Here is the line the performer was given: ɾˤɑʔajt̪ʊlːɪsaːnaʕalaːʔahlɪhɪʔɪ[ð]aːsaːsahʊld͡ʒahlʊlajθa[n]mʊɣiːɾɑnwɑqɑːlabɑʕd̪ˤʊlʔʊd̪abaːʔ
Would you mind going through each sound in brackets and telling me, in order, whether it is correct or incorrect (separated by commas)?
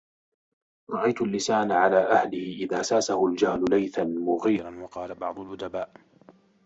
correct, correct